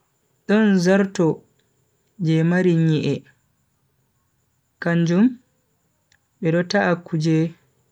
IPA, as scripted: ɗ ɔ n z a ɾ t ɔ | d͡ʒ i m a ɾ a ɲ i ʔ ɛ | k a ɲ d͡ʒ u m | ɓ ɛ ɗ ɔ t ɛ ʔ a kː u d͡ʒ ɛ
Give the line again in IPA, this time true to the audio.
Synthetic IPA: ɗ ɔ n z a ɾ t ɔ | d͡ʒ ɛ m a ɾ i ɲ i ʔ ɛ | k a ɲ d͡ʒ u m | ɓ ɛ ɗ ɔ t a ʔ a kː u d͡ʒ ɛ